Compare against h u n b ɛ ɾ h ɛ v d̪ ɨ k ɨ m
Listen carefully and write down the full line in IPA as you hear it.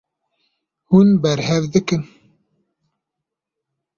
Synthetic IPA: h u n b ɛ ɾ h ɛ v d̪ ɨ k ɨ n